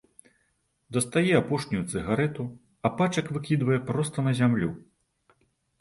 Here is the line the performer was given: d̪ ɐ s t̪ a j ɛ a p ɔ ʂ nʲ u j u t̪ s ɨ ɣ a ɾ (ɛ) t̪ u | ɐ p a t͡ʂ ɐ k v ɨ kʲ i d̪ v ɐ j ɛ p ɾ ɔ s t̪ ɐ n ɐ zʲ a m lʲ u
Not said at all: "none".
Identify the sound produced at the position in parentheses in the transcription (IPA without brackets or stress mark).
ɛ